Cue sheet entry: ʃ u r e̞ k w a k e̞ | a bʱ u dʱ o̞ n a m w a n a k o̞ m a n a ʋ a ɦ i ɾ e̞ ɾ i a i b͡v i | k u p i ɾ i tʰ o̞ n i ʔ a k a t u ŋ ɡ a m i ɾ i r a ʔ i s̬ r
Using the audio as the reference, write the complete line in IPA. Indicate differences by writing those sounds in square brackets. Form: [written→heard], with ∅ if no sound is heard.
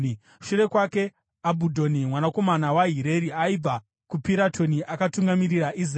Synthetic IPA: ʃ u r e̞ k w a k e̞ | a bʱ u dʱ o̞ n [a→i] m w a n a k o̞ m a n a [ʋ→w] a ɦ i ɾ e̞ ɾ i a i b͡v [i→a] | k u p i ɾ [i→a] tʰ o̞ n i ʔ a k a t u ŋ ɡ a m i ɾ i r a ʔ i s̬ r